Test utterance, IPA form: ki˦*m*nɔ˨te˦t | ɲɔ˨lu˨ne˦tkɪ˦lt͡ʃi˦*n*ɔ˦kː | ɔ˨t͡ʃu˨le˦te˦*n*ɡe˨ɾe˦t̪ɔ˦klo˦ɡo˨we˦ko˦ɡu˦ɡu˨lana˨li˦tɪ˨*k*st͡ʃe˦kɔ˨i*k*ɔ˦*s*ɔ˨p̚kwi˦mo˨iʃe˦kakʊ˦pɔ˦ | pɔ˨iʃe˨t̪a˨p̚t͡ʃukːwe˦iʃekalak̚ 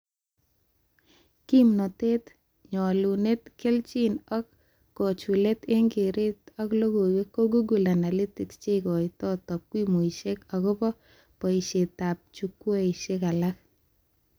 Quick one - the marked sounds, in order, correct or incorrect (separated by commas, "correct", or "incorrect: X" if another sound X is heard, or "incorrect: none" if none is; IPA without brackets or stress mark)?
correct, correct, incorrect: ŋ, correct, incorrect: t, incorrect: t